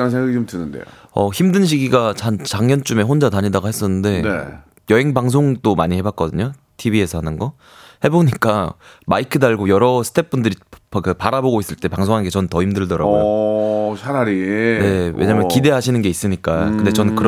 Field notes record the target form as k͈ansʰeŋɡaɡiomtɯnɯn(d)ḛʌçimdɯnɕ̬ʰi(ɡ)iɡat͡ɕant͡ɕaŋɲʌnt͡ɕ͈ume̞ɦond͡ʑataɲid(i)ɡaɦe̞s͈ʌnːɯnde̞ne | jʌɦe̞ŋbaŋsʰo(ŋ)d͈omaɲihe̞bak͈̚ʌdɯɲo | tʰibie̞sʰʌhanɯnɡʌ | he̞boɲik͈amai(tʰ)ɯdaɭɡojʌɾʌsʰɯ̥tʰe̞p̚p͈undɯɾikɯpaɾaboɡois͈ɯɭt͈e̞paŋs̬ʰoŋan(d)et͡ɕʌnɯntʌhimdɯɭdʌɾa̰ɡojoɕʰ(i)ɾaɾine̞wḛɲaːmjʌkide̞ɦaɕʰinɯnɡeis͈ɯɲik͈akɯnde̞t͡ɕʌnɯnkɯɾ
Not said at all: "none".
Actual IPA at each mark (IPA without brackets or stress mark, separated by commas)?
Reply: d, ɡ, a, ŋ, kʰ, ɡ, a